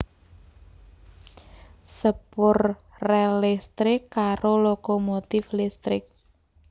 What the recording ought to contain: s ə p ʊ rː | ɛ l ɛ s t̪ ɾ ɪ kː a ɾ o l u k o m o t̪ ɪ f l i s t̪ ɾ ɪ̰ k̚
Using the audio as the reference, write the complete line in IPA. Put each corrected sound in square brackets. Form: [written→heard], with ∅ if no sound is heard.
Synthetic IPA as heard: s ə p ʊ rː | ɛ l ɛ s t̪ ɾ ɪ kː a ɾ o l [u→o] k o m o t̪ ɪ f l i s t̪ ɾ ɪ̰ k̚